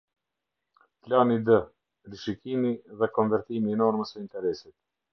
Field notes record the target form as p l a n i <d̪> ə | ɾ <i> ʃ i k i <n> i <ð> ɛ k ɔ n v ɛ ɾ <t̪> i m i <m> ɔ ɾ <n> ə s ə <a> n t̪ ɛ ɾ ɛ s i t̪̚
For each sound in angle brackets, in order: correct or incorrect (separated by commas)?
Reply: correct, correct, incorrect, correct, correct, incorrect, incorrect, incorrect